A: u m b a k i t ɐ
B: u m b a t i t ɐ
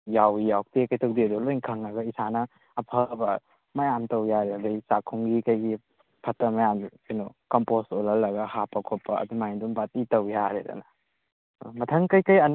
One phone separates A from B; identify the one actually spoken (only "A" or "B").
B